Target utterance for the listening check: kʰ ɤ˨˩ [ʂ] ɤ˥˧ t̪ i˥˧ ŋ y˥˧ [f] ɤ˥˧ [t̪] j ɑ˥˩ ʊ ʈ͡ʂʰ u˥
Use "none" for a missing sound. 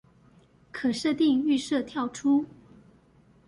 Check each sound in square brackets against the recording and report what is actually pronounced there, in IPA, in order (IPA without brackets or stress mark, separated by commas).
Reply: ʂ, ʂ, t̪ʰ